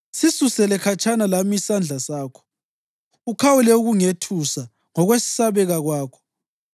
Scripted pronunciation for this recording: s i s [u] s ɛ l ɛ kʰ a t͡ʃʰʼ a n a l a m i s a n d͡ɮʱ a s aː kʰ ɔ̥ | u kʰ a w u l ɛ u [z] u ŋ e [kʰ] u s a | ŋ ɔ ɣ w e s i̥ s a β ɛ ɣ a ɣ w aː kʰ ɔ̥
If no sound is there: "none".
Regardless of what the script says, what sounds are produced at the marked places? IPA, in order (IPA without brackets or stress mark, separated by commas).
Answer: u, ɣ, tʰ